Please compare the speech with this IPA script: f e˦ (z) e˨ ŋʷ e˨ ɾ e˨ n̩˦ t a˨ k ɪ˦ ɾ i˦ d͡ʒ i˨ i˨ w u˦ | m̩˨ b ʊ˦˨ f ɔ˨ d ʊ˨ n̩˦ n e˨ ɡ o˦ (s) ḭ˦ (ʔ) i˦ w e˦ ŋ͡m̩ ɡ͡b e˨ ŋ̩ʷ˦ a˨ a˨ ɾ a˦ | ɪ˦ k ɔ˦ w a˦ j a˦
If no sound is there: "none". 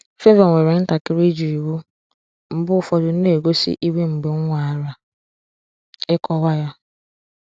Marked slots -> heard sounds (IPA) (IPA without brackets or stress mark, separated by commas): v, s, ʔ